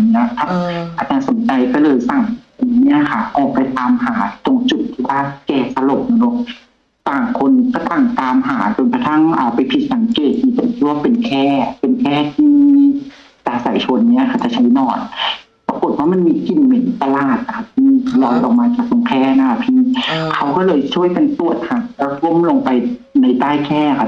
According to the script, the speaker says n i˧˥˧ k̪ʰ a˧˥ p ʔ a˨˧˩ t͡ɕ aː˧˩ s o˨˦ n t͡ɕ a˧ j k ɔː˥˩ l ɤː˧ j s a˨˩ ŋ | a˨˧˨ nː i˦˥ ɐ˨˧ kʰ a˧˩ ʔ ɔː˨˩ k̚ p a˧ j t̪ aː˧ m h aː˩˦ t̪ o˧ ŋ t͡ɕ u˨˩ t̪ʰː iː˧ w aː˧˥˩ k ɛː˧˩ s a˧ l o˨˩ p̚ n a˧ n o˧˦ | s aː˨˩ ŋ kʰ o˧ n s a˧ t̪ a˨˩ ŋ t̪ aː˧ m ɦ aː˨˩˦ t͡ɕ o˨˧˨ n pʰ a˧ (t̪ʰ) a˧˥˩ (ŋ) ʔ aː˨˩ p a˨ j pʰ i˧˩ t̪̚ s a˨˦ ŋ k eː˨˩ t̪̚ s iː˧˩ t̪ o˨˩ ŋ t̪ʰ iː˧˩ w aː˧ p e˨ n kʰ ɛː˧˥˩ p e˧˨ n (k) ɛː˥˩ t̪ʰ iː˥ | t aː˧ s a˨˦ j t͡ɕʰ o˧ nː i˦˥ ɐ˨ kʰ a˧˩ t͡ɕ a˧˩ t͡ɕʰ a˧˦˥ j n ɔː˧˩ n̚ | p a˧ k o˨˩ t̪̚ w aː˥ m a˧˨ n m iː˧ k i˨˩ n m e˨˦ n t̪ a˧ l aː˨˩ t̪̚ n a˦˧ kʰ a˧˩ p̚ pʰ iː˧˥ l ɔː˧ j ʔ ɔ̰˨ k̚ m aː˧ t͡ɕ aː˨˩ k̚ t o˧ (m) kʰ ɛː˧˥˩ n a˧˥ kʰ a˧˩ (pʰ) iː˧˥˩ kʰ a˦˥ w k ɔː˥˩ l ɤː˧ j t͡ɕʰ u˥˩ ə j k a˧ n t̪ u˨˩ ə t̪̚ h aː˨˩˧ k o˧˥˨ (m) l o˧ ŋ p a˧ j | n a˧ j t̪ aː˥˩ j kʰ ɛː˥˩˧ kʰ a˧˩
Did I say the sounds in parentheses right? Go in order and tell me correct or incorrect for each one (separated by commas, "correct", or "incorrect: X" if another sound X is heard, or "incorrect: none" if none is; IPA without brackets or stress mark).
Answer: correct, correct, incorrect: kʰ, incorrect: ŋ, correct, correct